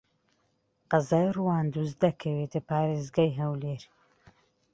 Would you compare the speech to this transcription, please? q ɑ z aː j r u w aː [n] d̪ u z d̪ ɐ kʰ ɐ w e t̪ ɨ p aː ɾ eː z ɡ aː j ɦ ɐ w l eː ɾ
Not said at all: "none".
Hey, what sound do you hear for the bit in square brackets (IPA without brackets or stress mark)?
n